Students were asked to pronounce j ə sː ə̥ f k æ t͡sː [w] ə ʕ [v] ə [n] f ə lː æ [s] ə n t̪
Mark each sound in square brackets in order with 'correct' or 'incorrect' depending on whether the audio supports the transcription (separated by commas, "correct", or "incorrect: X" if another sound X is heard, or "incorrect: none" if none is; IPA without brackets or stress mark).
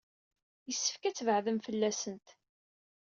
incorrect: v, incorrect: ð, incorrect: m, correct